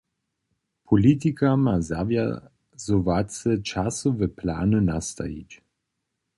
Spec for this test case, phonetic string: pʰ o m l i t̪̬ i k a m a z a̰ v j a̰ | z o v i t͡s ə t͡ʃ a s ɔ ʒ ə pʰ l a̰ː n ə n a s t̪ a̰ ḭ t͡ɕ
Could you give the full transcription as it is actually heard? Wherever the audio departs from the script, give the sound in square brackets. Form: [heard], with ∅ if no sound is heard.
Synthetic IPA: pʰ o [∅] l i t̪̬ i k a m a z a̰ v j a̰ | z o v [a] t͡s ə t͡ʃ a s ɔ [v] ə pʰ l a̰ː n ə n a s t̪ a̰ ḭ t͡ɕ